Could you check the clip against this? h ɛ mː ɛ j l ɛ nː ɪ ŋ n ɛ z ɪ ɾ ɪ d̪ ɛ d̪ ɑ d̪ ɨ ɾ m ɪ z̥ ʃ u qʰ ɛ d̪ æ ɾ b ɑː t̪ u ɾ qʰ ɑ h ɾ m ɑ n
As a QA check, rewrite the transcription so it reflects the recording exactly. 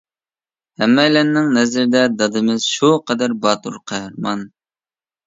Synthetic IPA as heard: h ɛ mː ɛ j l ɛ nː ɪ ŋ n ɛ z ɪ ɾ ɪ d̪ ɛ d̪ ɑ d̪ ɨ m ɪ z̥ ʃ u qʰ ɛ d̪ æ ɾ b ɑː t̪ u ɾ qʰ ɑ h ɾ m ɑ n

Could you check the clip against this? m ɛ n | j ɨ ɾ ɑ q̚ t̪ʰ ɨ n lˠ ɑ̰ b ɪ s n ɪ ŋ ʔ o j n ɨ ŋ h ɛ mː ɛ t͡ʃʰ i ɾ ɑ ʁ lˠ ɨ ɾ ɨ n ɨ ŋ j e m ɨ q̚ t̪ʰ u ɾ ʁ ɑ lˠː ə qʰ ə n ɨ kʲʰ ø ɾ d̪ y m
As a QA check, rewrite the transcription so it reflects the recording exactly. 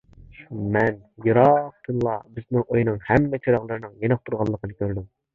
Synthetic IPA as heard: m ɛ n | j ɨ ɾ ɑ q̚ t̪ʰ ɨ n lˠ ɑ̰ b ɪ z n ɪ ŋ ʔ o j n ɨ ŋ h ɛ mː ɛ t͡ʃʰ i ɾ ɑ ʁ lˠ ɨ ɾ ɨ n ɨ ŋ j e n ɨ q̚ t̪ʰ u ɾ ʁ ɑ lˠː ə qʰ ə n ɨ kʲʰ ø ɾ d̪ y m

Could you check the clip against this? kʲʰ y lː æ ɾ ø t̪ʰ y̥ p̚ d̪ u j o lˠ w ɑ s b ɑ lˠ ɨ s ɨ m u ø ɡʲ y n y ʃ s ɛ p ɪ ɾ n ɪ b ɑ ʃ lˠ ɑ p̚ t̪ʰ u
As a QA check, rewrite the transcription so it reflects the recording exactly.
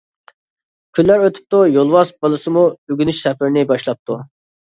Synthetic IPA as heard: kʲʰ y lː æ ɾ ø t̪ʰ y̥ p̚ t̪ u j o lˠ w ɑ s b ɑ lˠ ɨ s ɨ m u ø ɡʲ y n y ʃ s ɛ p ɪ ɾ n ɪ b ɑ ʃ lˠ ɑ p̚ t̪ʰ u

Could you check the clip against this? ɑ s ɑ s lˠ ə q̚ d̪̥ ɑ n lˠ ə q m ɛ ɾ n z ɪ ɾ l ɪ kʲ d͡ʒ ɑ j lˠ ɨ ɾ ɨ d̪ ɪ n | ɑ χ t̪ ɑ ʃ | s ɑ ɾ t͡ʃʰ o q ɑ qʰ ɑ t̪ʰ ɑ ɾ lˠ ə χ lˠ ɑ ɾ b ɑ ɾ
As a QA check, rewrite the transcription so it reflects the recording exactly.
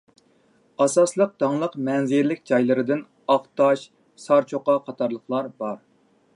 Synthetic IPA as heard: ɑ s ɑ s lˠ ə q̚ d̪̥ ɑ ŋ lˠ ə q m ɛ n z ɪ ɾ l ɪ kʲ d͡ʒ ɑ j lˠ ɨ ɾ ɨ d̪ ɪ n | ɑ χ t̪ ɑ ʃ | s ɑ ɾ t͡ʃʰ o q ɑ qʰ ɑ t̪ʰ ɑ ɾ lˠ ə χ lˠ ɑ ɾ b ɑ ɾ

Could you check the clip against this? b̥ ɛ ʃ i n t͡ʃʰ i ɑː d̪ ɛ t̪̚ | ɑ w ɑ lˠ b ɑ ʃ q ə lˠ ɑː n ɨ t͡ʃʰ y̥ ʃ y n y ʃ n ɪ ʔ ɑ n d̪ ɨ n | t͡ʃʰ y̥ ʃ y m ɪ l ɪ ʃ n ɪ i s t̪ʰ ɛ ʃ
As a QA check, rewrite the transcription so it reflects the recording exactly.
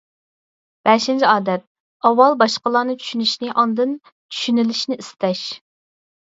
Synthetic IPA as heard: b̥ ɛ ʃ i n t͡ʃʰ i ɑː d̪ ɛ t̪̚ | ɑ w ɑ lˠ b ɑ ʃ q ə lˠ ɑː n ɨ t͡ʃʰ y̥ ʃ y n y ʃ n ɪ ʔ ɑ n d̪ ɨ n | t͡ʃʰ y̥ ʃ y n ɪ l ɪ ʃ n ɪ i s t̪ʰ ɛ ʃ

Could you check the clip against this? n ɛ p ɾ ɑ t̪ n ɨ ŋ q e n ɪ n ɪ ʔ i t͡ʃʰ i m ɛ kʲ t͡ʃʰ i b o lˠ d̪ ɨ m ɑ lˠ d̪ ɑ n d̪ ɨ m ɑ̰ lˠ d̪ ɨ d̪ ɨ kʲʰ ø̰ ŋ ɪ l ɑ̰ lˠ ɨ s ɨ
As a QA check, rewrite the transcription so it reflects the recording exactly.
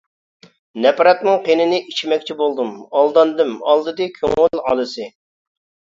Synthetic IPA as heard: n ɛ p ɾ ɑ t̪ n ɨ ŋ q e n ɪ n ɪ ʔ i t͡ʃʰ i m ɛ kʲ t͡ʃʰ i b o lˠ d̪ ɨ m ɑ lˠ d̪ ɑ n d̪ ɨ m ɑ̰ lˠ d̪ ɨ d̪ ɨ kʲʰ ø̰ ŋ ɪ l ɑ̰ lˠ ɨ s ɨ

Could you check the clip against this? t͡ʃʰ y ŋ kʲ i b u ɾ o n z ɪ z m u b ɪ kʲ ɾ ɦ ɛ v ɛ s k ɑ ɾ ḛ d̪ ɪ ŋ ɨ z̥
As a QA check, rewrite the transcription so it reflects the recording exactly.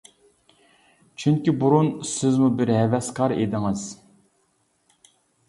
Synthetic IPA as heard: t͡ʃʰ y ŋ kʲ i b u ɾ u n s ɪ z m u b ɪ ɾ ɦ ɛ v ɛ s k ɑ ɾ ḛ d̪ ɪ ŋ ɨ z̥

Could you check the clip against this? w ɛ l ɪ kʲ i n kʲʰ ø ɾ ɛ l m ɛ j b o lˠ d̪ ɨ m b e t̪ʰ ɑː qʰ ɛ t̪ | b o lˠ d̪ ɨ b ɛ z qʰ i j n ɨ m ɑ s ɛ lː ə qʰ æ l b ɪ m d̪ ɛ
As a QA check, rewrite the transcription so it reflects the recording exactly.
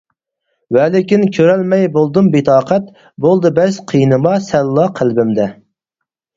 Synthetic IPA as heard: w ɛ l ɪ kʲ i n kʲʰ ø ɾ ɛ l m ɛ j b o lˠ d̪ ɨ m b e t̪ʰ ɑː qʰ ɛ t̪ | b o lˠ d̪ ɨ b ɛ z qʰ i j n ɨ m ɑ s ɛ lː ɑ qʰ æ l b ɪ m d̪ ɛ

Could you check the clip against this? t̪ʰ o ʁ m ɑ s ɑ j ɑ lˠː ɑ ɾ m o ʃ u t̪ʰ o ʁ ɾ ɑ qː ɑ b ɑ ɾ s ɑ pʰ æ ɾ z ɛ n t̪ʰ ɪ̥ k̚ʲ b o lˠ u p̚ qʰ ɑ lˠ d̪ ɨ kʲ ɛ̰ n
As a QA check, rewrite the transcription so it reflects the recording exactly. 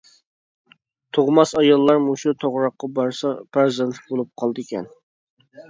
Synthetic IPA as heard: t̪ʰ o ʁ m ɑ s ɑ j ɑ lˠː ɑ ɾ m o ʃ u t̪ʰ o ʁ ɾ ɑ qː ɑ b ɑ ɾ s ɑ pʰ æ ɾ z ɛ n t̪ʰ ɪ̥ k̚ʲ b o lˠ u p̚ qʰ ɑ lˠ d̪ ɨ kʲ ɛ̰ n

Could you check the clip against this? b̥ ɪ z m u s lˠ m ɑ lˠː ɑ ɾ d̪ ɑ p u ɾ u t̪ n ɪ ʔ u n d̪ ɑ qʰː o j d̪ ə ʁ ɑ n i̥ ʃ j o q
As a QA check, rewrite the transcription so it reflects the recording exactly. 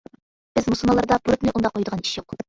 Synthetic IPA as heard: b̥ ɪ z m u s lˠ m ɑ lˠ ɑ ɾ d̪ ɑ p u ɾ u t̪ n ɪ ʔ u n d̪ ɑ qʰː o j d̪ ə ʁ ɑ n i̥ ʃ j o q

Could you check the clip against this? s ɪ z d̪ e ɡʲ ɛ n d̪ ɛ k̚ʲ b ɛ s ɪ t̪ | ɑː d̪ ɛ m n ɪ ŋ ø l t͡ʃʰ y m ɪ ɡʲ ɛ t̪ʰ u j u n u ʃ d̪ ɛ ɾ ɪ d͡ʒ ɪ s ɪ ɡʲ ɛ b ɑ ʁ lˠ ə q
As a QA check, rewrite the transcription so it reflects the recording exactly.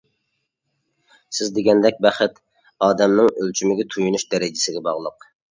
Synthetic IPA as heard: s ɪ z d̪ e ɡʲ ɛ n d̪ ɛ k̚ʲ b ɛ χ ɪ t̪ | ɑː d̪ ɛ m n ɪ ŋ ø l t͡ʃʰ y m ɪ ɡʲ ɛ t̪ʰ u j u n u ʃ d̪ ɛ ɾ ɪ d͡ʒ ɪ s ɪ ɡʲ ɛ b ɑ ʁ lˠ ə q

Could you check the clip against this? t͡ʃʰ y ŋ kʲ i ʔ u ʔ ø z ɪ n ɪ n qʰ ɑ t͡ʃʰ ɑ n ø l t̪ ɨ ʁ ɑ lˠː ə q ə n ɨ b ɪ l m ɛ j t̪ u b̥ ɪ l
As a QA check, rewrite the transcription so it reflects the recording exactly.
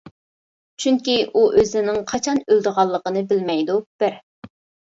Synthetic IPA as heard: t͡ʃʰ y ŋ kʲ i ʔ u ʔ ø z ɪ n ɪ ŋ qʰ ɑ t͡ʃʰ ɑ n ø l d̪ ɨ ʁ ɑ lˠː ə q ə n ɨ b ɪ l m ɛ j d̪ u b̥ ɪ ɾ

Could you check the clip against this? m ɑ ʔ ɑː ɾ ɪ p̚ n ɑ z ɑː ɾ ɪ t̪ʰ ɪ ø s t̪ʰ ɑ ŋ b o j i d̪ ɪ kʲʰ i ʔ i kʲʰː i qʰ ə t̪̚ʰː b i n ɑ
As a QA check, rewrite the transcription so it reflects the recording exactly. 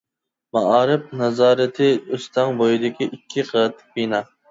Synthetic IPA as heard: m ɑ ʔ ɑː ɾ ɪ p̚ n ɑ z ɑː ɾ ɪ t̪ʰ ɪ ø s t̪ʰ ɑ ŋ b o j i d̪ ɪ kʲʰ i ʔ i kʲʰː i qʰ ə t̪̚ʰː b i n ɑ

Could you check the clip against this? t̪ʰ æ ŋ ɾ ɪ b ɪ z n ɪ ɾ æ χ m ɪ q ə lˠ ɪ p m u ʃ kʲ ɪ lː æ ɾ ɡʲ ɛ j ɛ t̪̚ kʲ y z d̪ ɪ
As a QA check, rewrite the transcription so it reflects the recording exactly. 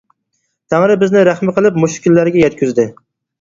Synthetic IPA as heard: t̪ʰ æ ŋ ɾ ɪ b ɪ z n ɪ ɾ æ χ m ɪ q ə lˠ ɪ p m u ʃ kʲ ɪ lː æ ɾ ɡʲ ɛ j ɛ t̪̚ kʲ y z d̪ ɪ

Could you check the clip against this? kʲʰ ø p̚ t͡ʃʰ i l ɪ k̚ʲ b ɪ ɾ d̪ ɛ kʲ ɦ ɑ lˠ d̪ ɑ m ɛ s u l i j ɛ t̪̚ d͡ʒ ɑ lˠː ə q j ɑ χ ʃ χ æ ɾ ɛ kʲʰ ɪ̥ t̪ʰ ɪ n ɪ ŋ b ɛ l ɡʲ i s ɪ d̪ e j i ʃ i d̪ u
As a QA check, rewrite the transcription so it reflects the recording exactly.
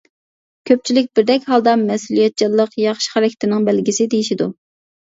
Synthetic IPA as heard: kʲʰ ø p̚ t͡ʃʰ i l ɪ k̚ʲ b ɪ ɾ d̪ ɛ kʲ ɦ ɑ lˠ d̪ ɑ m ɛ s u l i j ɛ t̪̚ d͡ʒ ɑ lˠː ə q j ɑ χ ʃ χ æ ɾ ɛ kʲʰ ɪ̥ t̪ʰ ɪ n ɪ ŋ b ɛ l ɡʲ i s ɪ d̪ e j i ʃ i d̪ u

